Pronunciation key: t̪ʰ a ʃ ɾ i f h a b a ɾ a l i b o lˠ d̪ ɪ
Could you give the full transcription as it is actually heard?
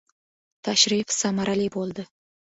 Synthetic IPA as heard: t̪ʰ a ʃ ɾ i f s a m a ɾ a l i b o lˠ d̪ ɪ